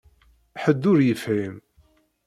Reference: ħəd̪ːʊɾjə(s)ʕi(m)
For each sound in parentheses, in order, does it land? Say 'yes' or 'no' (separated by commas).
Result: no, yes